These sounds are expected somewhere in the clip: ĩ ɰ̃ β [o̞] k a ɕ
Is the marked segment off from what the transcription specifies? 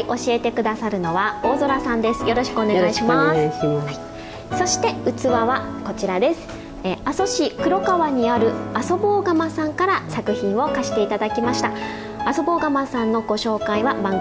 no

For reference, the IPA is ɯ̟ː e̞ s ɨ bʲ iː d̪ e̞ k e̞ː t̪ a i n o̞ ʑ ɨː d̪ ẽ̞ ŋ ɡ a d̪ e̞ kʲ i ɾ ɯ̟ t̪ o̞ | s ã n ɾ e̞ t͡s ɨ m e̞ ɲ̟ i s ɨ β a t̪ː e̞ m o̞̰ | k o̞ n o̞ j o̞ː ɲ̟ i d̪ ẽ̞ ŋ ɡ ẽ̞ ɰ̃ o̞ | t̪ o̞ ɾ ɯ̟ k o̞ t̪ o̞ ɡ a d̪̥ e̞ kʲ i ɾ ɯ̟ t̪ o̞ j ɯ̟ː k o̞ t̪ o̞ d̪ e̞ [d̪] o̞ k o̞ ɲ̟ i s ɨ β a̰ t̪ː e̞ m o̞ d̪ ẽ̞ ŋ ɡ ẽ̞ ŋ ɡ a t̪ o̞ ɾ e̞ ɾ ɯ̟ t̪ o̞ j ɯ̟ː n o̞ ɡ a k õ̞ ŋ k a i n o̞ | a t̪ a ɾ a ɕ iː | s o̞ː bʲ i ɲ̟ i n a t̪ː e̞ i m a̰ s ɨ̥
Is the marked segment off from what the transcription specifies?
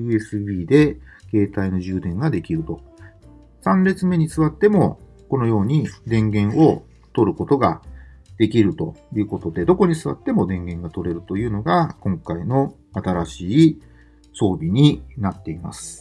no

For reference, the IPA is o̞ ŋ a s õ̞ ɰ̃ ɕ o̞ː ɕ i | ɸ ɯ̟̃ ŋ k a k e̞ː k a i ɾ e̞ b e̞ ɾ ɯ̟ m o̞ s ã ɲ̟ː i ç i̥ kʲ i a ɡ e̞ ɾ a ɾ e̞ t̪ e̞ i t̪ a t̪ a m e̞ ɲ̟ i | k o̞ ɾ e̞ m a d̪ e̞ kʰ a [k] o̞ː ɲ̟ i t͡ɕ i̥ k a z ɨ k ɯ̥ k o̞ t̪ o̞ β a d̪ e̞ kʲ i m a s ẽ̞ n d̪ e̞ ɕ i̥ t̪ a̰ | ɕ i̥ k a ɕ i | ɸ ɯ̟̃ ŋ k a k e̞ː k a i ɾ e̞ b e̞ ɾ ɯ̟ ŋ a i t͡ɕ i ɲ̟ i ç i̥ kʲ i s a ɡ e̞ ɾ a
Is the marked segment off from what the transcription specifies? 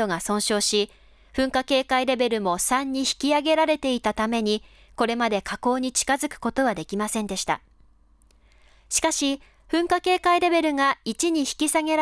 no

